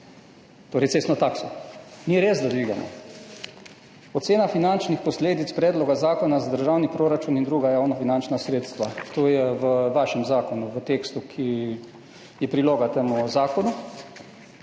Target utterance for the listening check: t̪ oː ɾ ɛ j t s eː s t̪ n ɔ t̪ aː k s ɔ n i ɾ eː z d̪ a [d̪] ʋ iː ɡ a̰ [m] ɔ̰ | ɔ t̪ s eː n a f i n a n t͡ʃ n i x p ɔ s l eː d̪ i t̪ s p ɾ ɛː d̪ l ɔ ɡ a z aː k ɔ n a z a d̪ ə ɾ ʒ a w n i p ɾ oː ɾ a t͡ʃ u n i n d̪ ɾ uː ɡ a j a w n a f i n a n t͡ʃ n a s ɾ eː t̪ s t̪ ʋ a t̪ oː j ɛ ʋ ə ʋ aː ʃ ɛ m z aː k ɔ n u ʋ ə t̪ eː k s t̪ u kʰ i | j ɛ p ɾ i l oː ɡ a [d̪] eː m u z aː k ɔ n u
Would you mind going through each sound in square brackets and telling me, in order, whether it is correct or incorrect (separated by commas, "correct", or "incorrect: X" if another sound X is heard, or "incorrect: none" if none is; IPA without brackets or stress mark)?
correct, correct, incorrect: t̪